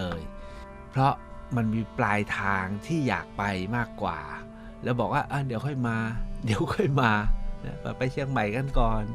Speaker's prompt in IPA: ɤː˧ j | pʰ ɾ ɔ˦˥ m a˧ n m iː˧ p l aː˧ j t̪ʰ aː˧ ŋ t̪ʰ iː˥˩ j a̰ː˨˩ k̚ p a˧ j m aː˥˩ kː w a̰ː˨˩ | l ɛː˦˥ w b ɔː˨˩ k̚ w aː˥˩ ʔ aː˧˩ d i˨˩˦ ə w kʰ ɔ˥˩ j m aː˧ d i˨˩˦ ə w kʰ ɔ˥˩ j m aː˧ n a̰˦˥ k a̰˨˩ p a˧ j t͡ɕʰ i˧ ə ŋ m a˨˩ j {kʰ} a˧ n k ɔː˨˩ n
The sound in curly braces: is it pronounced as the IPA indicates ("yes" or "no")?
no